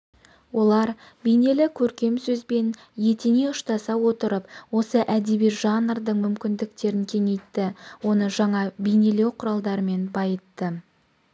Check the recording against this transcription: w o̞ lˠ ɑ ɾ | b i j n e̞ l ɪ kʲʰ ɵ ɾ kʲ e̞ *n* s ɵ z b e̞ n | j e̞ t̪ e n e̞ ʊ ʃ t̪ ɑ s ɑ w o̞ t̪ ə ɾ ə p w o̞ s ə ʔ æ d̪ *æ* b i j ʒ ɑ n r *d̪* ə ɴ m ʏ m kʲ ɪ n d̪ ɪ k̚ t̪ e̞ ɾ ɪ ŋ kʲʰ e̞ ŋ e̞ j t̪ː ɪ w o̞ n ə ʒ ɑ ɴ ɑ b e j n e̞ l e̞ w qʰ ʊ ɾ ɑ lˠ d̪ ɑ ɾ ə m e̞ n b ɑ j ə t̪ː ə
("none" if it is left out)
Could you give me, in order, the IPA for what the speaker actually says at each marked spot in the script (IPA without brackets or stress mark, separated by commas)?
m, e, d̪